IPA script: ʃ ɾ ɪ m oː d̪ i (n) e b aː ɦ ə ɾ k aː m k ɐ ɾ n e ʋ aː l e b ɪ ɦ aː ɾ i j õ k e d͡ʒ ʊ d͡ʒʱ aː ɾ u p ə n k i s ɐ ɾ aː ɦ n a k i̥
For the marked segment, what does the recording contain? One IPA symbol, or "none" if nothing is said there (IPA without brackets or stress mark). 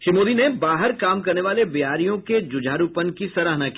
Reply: n